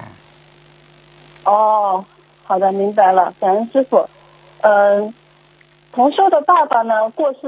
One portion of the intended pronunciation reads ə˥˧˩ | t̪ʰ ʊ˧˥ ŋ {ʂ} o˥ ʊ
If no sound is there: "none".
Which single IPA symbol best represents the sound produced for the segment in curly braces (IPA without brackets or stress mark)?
ʂ